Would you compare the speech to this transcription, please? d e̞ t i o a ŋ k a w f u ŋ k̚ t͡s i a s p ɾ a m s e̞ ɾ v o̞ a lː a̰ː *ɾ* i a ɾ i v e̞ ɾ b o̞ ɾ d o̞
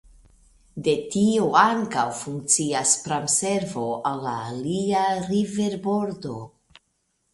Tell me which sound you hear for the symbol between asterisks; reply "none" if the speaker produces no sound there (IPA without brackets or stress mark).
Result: l